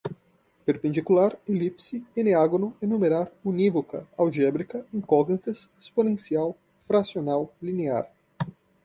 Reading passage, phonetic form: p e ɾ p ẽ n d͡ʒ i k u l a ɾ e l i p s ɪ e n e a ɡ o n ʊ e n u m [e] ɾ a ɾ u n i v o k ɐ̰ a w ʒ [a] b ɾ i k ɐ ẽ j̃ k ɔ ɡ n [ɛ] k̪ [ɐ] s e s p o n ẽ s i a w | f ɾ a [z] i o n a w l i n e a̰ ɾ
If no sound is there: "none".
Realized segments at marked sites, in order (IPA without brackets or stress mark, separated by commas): e, ɛ, i, ɐ, s